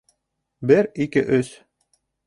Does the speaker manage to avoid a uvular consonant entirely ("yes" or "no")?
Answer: yes